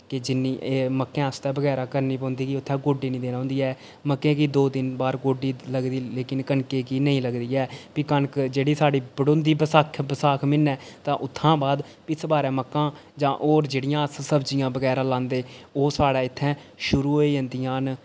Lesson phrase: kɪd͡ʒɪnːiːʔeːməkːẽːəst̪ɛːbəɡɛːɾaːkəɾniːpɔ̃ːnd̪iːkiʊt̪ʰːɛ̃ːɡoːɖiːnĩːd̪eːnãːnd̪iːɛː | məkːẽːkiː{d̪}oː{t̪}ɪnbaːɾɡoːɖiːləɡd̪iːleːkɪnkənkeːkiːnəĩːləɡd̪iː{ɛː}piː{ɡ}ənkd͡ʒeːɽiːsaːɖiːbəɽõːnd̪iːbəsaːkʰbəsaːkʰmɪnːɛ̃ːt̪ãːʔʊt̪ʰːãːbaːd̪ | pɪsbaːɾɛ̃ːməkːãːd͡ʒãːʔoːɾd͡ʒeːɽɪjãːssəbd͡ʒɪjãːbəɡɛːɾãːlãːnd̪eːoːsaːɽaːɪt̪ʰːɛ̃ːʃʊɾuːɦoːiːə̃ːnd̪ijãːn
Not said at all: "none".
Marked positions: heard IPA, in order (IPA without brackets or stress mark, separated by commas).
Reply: d̪, d̪, ɛː, k